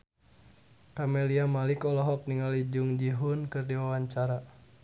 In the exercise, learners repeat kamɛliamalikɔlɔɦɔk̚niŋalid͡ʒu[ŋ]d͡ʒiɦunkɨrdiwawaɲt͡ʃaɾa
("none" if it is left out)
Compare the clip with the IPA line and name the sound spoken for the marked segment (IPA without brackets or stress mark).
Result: ŋ